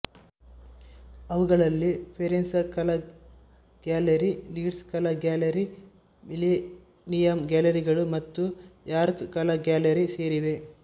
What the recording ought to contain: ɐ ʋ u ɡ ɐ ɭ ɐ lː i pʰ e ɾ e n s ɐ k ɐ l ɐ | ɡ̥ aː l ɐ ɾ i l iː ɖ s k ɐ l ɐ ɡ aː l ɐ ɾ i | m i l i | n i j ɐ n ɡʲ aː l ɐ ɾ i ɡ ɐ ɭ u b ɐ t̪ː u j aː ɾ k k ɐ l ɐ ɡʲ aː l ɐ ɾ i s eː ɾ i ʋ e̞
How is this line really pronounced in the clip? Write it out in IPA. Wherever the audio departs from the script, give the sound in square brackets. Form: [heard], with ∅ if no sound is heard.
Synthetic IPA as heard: ɐ ʋ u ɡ ɐ ɭ ɐ lː i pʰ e ɾ e n s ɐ k ɐ l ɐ | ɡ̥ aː l ɐ ɾ i l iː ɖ s k ɐ l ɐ ɡ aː l ɐ ɾ i | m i l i | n i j ɐ [m] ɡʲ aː l ɐ ɾ i ɡ ɐ ɭ u [m] ɐ t̪ː u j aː ɾ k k ɐ l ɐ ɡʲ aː l ɐ ɾ i s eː ɾ i ʋ e̞